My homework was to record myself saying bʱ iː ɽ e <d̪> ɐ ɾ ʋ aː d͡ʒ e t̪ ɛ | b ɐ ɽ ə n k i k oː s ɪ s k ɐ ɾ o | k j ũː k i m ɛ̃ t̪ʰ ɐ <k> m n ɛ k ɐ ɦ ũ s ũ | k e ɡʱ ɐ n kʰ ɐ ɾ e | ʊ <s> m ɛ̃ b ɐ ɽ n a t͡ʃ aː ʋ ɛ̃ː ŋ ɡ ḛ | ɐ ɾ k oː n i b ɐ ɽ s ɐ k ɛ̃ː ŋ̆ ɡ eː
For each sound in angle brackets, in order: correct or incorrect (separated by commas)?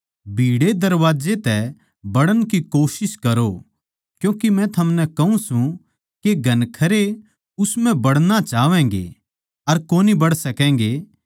correct, incorrect, correct